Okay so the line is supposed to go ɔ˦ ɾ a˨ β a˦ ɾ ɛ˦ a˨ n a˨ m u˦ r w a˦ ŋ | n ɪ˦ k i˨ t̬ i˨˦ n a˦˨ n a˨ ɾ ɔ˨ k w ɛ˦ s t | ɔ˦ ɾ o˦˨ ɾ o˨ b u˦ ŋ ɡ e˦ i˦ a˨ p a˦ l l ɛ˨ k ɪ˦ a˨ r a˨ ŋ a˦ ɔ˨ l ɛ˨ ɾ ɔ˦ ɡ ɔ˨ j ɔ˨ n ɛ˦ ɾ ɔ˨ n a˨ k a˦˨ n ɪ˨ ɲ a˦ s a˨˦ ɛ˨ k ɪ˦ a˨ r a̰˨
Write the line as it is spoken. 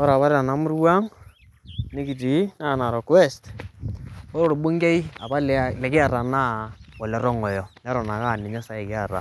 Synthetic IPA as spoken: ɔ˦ ɾ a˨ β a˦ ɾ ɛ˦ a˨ n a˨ m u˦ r w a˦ ŋ | n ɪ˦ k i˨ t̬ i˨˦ n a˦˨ n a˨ ɾ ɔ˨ k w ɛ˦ s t | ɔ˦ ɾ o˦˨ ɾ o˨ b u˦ ŋ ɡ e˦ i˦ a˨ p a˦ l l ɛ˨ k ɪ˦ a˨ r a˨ n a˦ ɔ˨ l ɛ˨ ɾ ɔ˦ ŋ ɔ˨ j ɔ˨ n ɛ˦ ɾ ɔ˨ n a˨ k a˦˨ n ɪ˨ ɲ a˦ s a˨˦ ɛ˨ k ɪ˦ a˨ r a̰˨